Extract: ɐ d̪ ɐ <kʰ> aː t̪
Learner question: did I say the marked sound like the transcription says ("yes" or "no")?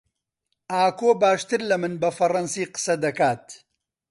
no